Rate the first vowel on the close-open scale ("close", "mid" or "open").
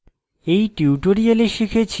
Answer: mid